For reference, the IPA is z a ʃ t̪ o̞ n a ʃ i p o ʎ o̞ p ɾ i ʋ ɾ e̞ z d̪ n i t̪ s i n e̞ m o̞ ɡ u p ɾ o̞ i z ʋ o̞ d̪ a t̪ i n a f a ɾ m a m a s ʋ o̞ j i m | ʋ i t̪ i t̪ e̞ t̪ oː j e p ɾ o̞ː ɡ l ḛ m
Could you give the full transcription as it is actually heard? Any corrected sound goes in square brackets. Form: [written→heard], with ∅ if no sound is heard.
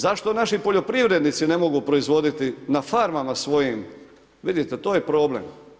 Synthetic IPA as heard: z a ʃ t̪ o̞ n a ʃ i p o ʎ o̞ p ɾ i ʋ ɾ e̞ [z→∅] d̪ n i t̪ s i n e̞ m o̞ ɡ u p ɾ o̞ i z ʋ o̞ d̪ [a→i] t̪ i n a f a ɾ m a m a s ʋ o̞ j i m | ʋ i [t̪→d̪] i t̪ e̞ t̪ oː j e p ɾ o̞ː [ɡ→b] l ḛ m